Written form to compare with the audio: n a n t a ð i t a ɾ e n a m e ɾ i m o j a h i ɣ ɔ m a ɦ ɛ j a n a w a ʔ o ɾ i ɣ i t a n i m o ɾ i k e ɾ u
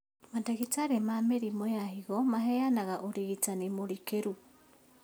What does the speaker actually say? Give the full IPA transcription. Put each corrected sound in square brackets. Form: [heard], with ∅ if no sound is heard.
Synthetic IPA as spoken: [m] a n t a [ɣ] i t a ɾ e [m] a m e ɾ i m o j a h i ɣ ɔ m a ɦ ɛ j a n a [ɣ] a ʔ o ɾ i ɣ i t a n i m o ɾ i k e ɾ u